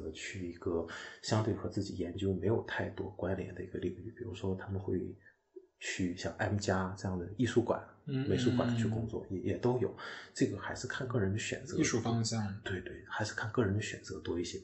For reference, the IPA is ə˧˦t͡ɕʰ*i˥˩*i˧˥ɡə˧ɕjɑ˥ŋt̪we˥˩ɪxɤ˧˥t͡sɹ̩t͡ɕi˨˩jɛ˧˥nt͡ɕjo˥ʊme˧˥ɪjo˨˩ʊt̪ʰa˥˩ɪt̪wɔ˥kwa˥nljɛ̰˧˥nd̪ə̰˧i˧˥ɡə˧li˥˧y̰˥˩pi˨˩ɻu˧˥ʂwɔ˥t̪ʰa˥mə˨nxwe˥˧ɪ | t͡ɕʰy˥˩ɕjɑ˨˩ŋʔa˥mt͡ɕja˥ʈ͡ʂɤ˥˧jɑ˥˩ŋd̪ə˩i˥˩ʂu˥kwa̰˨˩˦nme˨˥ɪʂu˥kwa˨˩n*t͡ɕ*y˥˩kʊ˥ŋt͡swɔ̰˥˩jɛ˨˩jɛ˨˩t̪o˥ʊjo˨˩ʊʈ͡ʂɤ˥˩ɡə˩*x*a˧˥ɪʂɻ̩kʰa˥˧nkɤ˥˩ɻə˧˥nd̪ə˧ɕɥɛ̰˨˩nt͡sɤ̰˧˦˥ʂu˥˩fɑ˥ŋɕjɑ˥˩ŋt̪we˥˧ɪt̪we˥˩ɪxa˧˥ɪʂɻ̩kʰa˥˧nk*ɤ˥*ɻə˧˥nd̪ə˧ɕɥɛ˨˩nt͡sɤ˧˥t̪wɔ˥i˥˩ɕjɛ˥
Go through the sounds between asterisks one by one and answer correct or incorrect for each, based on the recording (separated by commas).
incorrect, incorrect, correct, incorrect